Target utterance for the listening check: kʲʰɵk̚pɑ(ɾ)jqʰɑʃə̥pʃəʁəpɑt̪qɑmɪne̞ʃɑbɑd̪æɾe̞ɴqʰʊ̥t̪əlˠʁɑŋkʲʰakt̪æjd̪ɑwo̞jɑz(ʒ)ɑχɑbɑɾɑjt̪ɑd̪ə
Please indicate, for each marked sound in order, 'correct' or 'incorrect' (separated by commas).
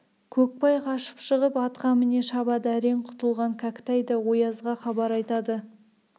incorrect, incorrect